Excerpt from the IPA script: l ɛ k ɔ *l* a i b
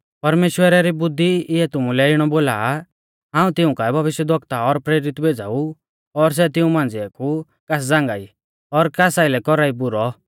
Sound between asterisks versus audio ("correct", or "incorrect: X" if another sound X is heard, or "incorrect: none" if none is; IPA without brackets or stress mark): incorrect: ɾ